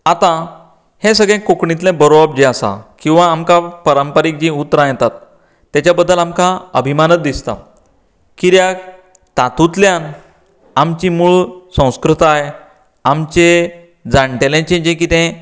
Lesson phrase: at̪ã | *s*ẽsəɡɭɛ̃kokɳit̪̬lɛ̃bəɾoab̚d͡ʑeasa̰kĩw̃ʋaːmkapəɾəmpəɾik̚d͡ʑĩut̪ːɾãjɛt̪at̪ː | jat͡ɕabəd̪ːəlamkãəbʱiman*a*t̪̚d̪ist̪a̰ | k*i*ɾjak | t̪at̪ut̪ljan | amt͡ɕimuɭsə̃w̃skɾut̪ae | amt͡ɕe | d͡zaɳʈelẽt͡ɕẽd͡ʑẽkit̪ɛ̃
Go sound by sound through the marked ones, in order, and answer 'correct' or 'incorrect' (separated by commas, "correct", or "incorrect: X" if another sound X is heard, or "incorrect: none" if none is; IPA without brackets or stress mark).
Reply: incorrect: h, incorrect: ə, correct